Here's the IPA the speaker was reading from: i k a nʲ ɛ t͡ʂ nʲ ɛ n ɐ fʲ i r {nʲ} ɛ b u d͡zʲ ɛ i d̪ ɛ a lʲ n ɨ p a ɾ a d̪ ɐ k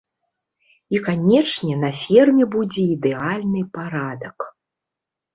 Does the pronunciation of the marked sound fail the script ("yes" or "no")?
yes